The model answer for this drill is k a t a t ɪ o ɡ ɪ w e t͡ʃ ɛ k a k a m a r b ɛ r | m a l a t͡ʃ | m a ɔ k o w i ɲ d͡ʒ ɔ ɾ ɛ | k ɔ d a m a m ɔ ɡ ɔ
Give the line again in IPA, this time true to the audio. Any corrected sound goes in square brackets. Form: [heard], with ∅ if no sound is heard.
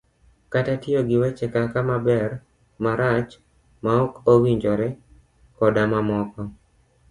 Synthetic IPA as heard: k a t a t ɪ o ɡ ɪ w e t͡ʃ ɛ k a k a m a [∅] b ɛ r | m a [ɾ] a t͡ʃ | m a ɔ k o w i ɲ d͡ʒ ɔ ɾ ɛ | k ɔ d a m a m ɔ [k] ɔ

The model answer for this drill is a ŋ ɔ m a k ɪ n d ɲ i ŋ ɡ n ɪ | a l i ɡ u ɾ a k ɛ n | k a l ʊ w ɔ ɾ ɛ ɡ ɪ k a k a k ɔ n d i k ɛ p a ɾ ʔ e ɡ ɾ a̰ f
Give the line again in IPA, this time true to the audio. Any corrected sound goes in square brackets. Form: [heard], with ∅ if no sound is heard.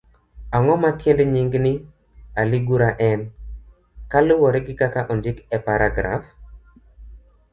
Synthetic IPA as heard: a ŋ ɔ m a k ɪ n d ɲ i ŋ ɡ n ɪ | a l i ɡ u ɾ a [ʔ] ɛ n | k a l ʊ w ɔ ɾ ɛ ɡ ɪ k a k a [ʔ] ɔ n d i k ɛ p a ɾ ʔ [a] ɡ ɾ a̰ f

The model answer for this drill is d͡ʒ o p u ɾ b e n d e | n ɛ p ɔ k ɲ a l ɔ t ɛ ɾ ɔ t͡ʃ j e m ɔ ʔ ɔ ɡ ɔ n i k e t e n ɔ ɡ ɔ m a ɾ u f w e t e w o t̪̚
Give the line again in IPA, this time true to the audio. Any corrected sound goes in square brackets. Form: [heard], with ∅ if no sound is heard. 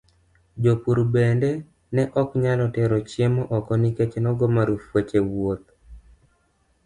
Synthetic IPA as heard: d͡ʒ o p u ɾ b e n d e | n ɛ [ʔ] ɔ k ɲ a l ɔ t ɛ ɾ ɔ t͡ʃ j e m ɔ ʔ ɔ [k] ɔ n i k e [t͡ʃ] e n ɔ ɡ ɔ m a ɾ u f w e [t͡ʃ] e w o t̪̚

